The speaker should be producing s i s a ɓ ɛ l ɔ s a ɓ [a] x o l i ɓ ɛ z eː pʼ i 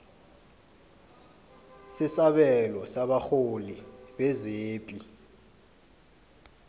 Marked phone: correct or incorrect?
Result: correct